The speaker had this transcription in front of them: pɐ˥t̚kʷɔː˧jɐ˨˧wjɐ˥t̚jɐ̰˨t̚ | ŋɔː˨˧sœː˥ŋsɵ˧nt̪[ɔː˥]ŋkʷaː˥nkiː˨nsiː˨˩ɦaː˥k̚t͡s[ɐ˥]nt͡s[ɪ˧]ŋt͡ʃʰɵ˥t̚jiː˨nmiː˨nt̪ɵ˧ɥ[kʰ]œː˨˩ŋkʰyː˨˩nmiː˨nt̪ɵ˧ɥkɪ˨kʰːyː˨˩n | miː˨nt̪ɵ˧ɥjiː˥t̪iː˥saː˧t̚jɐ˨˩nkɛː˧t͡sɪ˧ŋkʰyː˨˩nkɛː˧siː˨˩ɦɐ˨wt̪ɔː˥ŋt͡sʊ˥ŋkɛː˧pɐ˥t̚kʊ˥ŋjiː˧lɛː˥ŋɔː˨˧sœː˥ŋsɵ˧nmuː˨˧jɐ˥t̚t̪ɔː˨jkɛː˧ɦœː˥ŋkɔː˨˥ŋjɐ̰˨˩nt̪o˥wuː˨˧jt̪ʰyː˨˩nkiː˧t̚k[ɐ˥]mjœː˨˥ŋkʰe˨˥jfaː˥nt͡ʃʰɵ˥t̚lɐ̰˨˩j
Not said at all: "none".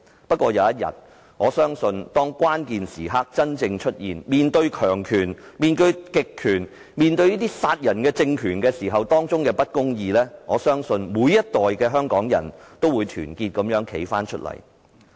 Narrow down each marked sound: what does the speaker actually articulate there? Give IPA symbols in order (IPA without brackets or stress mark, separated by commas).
ɔː˥, ɐ˥, ɪ˧, kʰ, ɐ˨˥